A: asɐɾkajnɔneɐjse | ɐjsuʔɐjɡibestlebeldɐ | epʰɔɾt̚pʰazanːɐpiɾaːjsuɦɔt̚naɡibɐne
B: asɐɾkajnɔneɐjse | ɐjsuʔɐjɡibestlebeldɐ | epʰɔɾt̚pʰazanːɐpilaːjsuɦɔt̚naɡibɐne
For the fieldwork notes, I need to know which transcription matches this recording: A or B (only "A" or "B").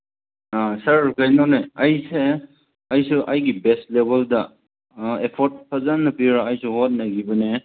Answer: A